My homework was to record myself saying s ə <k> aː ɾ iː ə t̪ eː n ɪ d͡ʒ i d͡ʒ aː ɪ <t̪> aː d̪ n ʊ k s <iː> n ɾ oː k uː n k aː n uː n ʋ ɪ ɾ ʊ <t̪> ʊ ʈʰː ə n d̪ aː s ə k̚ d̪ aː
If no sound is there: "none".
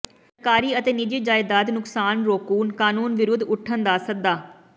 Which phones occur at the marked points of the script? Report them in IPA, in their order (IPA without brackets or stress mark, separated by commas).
k, d̪, aː, d̪